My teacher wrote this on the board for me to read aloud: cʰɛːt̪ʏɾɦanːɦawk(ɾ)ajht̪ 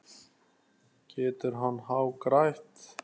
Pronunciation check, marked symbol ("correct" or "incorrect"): correct